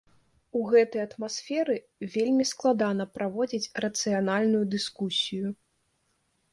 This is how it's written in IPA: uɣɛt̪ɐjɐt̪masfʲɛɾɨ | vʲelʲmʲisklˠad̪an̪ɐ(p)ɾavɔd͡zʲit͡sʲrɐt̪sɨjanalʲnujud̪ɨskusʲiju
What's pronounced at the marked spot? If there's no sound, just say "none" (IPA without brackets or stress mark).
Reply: p